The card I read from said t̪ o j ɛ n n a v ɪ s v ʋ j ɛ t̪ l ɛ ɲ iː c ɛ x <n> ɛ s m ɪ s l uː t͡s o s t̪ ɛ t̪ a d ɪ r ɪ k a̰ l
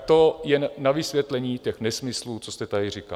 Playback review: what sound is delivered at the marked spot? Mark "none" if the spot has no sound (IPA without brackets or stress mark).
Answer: n